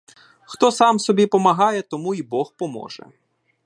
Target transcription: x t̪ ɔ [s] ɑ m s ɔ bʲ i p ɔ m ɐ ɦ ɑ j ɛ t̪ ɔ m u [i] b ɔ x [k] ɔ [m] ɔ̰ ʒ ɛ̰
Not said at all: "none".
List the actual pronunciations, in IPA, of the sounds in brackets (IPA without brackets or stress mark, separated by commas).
s, i, p, m